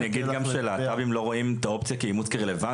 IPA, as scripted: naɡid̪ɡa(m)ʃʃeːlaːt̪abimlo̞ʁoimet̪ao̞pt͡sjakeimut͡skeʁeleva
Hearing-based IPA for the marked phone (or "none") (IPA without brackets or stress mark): m